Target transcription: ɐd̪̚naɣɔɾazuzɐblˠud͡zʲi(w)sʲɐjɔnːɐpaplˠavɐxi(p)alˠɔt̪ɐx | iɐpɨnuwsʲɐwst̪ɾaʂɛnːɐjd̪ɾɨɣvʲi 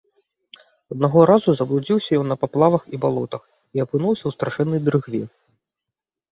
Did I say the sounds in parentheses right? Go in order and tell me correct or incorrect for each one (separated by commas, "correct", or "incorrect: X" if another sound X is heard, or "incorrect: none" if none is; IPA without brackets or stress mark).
correct, incorrect: b